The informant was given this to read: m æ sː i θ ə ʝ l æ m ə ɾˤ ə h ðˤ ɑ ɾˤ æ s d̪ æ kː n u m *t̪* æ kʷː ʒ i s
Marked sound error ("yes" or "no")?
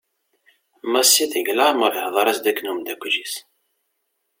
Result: yes